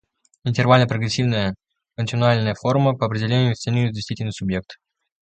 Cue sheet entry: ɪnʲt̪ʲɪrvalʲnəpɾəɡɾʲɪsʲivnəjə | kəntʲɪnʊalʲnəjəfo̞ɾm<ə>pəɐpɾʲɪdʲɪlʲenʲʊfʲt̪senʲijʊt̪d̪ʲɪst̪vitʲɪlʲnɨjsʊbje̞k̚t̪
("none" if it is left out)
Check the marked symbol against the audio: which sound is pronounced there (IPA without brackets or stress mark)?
ə